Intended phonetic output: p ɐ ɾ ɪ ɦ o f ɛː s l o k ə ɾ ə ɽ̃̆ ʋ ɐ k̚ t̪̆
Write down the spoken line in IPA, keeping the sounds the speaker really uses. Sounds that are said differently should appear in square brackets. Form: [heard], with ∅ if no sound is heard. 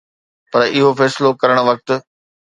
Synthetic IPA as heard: p ɐ ɾ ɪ ɦ o f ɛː s l o k [ɐ] ɾ ə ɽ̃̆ ʋ ɐ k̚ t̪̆